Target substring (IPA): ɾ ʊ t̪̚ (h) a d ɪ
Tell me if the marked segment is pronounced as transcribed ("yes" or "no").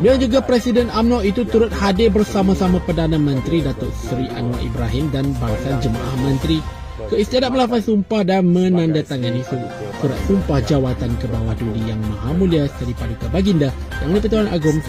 yes